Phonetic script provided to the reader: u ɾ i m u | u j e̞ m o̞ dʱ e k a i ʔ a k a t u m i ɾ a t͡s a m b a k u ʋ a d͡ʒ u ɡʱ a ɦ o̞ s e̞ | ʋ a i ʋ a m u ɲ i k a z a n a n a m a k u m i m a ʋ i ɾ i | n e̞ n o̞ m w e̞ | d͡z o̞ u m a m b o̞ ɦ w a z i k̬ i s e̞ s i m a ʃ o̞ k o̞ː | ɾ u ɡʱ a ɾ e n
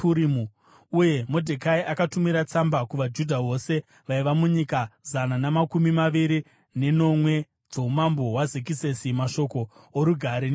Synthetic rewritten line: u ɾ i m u | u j e̞ m o̞ dʱ e k a i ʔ a k a t u m i ɾ a t͡s a m b a k u ʋ a d͡ʒ u dʱ a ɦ o̞ s e̞ | ʋ a i ʋ a m u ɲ i k a z a n a n a m a k u m i m a ʋ i ɾ i | n e̞ n o̞ m w e̞ | d͡z o̞ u m a m b o̞ ɦ w a z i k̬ i s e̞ s i m a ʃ o̞ k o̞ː | ɾ u ɡʱ a ɾ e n